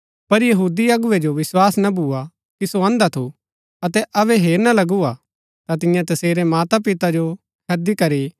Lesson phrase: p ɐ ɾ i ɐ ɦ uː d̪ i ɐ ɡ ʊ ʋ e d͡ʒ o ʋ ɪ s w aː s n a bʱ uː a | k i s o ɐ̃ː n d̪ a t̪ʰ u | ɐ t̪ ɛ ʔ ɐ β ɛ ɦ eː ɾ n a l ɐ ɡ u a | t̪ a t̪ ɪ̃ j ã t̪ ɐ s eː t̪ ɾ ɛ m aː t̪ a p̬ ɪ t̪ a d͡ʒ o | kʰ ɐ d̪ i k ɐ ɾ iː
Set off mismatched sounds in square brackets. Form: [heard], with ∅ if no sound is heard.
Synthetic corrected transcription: p ɐ ɾ [j] ɐ ɦ uː d̪ i ɐ ɡ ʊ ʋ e d͡ʒ o ʋ ɪ s w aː s n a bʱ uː a | k i s o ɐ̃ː n d̪ a t̪ʰ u | ɐ t̪ ɛ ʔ ɐ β ɛ ɦ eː ɾ n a l ɐ ɡ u a | t̪ a t̪ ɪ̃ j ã t̪ ɐ s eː [∅] ɾ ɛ m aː t̪ a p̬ ɪ t̪ a d͡ʒ o | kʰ ɐ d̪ i k ɐ ɾ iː